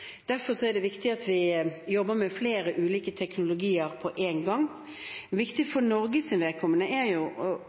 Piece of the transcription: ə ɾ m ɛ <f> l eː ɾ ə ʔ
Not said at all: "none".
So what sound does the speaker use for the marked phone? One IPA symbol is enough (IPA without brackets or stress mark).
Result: f